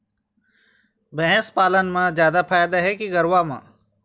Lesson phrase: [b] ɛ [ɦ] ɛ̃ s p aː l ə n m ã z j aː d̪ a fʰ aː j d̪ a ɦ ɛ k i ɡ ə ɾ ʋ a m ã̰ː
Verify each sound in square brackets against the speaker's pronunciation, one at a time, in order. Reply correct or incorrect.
correct, correct

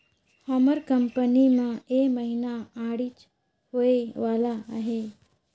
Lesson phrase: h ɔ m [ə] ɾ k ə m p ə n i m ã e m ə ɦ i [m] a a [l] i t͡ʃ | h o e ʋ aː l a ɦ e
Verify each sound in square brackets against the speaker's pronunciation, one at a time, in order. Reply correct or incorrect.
correct, incorrect: n, incorrect: ɽ

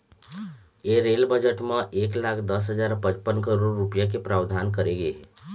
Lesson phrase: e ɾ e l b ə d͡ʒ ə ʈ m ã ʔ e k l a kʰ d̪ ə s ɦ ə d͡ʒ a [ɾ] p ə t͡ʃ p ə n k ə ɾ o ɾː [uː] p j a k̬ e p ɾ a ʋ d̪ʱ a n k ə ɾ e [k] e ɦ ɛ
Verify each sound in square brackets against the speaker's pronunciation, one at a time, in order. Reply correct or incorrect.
correct, incorrect: u, incorrect: ɡ

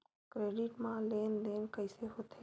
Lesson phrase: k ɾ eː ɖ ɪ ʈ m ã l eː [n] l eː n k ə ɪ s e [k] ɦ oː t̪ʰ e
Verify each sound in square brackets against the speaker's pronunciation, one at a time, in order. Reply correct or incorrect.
correct, incorrect: none

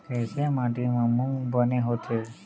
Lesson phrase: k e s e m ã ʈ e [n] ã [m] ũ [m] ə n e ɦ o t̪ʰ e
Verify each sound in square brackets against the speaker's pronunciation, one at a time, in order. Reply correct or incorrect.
incorrect: m, correct, incorrect: b

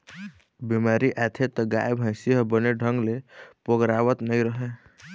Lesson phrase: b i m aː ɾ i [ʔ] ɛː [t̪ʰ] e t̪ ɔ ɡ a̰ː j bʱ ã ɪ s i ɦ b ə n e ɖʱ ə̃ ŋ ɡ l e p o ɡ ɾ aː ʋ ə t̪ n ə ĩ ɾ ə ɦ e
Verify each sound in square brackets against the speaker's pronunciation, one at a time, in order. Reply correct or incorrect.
correct, correct

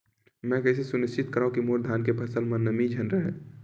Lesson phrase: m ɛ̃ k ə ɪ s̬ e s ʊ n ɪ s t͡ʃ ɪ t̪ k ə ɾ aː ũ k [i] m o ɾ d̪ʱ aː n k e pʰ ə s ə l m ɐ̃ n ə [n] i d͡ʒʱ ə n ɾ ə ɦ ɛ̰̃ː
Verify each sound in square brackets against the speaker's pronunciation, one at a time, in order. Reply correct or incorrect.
correct, incorrect: m

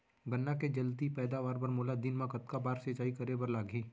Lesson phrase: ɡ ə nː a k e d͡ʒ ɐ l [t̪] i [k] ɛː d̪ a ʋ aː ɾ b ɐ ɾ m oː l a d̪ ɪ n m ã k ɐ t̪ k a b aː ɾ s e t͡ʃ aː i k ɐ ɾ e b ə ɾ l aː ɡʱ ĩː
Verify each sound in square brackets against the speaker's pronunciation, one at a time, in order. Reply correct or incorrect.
correct, incorrect: p

